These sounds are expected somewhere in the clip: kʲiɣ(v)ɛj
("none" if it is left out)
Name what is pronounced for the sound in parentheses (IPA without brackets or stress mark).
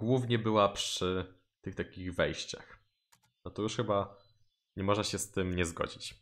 v